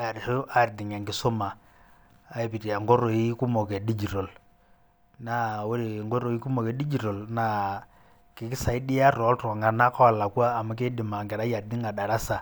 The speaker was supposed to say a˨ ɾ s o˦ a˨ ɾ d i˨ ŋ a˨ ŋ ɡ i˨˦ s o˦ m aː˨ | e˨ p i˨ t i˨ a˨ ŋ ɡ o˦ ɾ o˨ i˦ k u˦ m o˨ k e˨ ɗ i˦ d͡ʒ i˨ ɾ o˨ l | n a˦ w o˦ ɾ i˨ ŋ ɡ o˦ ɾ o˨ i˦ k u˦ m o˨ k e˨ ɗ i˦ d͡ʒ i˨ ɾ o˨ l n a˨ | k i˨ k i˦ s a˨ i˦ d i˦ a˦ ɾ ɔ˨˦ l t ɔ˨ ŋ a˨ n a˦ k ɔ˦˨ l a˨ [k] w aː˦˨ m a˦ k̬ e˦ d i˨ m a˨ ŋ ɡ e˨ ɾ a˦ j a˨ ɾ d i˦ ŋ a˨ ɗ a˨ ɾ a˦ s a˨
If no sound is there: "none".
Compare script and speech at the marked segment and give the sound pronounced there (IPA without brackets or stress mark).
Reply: k